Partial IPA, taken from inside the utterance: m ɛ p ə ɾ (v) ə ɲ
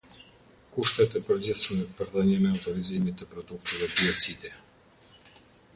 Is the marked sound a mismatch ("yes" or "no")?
yes